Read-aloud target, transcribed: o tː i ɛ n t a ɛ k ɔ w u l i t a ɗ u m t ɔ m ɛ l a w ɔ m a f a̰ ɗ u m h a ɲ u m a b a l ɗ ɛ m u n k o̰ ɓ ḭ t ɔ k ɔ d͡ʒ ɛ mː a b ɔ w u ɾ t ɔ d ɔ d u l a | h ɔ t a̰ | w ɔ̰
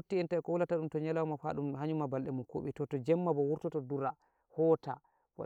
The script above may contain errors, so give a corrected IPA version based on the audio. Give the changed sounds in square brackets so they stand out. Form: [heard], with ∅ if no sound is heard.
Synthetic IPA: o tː i ɛ n t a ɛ k ɔ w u l [a] t a ɗ u m t ɔ [ɲ] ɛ l a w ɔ m a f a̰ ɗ u m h a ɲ u m a b a l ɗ ɛ m u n k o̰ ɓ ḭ t ɔ [t] ɔ d͡ʒ ɛ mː a b ɔ w u ɾ t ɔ [t] ɔ d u [ɾ] a | h ɔ t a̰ | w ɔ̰